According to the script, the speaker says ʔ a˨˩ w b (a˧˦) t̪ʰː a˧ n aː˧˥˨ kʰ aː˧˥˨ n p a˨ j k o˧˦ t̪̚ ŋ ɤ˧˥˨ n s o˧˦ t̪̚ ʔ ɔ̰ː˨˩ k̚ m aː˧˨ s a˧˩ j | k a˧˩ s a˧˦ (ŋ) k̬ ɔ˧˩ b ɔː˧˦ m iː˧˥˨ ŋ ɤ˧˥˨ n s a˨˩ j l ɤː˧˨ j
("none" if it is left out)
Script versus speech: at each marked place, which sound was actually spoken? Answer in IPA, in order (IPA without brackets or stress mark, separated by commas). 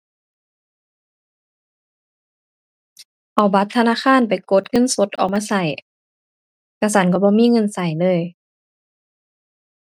a˧˦, n